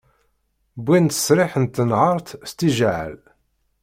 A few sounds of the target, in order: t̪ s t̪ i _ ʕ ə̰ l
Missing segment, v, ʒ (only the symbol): ʒ